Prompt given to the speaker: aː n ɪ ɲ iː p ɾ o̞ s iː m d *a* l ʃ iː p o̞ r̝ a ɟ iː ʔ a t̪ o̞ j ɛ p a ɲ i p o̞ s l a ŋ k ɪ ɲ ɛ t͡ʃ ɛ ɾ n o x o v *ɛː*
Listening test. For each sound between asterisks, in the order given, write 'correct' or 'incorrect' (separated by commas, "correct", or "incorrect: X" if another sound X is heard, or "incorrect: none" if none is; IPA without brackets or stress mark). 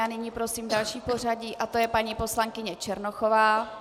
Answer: correct, incorrect: aː